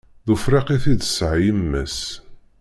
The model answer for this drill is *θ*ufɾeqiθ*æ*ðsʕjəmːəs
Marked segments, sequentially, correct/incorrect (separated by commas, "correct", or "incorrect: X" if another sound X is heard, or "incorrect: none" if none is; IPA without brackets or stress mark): incorrect: ð, incorrect: i